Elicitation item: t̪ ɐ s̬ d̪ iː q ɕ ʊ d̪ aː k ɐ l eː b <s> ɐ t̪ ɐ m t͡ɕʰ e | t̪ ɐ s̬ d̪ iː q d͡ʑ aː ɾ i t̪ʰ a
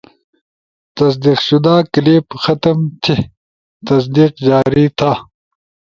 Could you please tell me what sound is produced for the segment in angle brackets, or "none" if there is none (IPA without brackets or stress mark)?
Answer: x